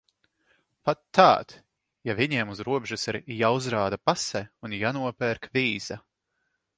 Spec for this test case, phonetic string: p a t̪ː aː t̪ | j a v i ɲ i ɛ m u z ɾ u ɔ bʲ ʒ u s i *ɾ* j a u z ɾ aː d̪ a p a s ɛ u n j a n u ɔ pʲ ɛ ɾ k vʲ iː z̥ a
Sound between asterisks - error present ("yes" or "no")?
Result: no